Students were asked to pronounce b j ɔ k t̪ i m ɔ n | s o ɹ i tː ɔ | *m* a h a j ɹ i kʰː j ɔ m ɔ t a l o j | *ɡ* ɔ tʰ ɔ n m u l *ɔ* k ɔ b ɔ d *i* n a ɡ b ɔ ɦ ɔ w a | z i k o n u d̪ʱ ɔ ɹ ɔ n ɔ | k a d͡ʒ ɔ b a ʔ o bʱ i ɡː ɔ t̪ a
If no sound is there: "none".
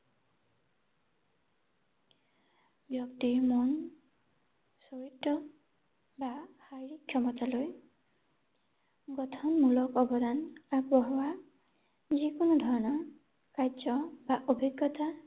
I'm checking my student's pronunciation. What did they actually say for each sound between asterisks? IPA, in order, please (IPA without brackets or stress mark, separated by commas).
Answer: b, ɡ, ɔ, a